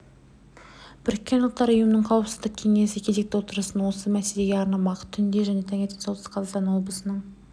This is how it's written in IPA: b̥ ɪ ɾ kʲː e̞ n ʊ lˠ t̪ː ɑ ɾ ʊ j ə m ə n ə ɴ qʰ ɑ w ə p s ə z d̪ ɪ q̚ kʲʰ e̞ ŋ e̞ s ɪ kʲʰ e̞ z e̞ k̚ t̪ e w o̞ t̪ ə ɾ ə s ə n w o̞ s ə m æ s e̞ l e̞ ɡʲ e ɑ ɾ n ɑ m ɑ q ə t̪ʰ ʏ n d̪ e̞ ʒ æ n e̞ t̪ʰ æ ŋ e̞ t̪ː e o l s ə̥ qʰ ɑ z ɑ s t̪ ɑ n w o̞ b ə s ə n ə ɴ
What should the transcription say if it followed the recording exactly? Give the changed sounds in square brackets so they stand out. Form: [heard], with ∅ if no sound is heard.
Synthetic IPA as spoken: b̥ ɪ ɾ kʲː e̞ n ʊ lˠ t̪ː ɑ ɾ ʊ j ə m ə n ə ɴ qʰ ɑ w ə p s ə z d̪ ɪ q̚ kʲʰ e̞ ŋ e̞ s ɪ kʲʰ e̞ z e̞ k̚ t̪ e w o̞ t̪ ə ɾ ə s ə n w o̞ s ə m æ s e̞ l e̞ ɡʲ e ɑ ɾ n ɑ m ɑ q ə t̪ʰ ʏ n d̪ e̞ ʒ æ n e̞ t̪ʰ æ ŋ e̞ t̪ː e o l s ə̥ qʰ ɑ z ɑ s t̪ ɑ n w o̞ b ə s ə n ə ɴ